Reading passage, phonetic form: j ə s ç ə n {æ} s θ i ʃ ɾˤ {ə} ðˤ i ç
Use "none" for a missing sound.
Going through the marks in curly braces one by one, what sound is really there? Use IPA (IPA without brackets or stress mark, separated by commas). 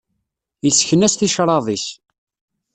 æ, ɑ